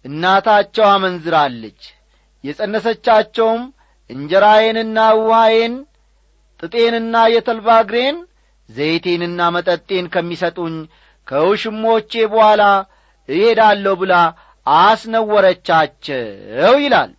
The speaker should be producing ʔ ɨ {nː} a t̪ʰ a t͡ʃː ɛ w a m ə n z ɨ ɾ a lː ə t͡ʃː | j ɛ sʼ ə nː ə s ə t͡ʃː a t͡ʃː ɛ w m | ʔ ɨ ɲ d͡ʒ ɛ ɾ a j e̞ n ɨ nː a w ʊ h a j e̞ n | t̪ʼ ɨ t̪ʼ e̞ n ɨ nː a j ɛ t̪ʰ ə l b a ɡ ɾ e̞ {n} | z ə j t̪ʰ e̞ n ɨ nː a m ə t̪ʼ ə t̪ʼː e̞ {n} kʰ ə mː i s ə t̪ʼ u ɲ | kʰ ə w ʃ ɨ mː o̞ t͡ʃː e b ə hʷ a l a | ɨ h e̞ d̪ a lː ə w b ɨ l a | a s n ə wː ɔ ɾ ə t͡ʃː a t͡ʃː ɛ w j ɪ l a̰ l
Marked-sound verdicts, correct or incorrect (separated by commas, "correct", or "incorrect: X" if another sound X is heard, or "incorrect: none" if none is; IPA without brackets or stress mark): correct, correct, correct